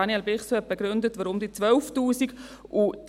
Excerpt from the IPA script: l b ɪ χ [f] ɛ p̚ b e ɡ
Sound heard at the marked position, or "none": s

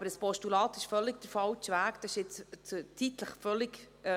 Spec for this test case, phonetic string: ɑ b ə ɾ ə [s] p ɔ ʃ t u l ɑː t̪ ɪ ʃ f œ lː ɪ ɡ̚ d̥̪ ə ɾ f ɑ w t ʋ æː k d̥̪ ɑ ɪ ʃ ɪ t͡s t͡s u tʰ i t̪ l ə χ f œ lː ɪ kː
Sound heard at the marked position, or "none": s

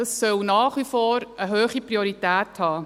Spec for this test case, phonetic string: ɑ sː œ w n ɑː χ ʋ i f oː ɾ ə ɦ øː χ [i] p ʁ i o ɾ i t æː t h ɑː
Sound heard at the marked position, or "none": i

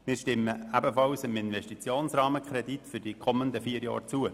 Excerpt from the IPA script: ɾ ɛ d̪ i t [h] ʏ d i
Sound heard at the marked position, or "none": f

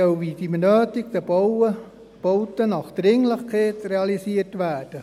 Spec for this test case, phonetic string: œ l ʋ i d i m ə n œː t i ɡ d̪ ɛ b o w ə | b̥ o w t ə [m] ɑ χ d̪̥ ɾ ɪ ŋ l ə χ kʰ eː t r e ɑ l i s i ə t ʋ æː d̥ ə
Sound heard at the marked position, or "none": n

